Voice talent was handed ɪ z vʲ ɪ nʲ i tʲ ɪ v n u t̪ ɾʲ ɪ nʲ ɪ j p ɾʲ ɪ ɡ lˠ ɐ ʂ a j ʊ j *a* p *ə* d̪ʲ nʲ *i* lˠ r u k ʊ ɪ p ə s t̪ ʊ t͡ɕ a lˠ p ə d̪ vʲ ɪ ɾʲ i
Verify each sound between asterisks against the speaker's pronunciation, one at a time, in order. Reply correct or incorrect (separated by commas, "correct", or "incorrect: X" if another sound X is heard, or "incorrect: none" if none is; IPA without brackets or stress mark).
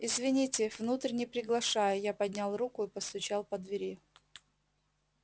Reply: correct, incorrect: ɐ, incorrect: a